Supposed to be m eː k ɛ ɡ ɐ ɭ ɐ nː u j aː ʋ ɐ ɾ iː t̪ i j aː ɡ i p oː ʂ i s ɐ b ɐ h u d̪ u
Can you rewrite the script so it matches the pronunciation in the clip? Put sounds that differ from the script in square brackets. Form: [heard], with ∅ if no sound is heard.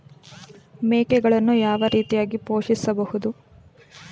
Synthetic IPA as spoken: m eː k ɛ ɡ ɐ ɭ ɐ nː u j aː ʋ ɐ ɾ iː t̪ i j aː ɡ i p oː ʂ i s ɐ b ɐ h u d̪ u